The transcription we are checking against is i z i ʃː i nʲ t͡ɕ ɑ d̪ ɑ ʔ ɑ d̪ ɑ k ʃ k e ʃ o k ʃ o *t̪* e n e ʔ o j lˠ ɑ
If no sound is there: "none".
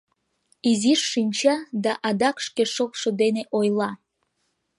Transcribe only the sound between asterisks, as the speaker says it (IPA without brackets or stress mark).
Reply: d̪